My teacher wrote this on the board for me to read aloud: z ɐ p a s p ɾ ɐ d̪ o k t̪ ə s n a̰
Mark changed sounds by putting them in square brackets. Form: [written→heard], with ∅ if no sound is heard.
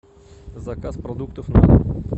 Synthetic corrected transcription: z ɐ [p→k] a s p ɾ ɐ d̪ [o→u] k t̪ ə [s→f] n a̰